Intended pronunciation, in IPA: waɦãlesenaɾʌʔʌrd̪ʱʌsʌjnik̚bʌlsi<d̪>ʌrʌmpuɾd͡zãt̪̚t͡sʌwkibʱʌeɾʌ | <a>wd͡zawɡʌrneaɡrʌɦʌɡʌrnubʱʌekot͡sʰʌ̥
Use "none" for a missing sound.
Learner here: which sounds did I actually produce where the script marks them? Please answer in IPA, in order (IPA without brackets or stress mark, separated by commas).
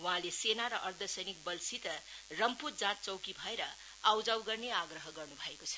t̪, a